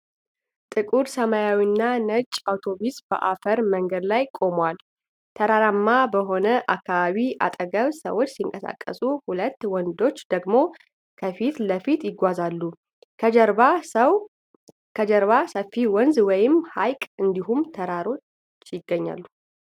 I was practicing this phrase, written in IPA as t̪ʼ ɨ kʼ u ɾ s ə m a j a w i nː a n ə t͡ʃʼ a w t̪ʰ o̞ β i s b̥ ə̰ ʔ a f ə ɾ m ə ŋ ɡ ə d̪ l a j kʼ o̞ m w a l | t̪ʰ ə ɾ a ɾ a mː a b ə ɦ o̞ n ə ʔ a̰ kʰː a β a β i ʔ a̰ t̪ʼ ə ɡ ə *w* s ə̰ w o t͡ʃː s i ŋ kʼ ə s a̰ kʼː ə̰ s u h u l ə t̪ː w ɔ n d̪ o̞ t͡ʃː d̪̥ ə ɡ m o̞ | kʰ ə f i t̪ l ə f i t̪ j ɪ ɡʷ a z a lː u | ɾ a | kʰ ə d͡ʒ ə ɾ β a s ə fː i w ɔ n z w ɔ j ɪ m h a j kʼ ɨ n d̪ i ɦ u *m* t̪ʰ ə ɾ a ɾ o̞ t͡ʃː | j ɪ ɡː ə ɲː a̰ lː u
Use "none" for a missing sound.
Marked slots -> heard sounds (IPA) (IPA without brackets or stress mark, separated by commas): β, m